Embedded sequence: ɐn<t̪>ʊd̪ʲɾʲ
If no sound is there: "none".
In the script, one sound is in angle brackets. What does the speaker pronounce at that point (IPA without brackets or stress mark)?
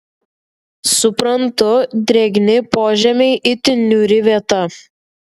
t̪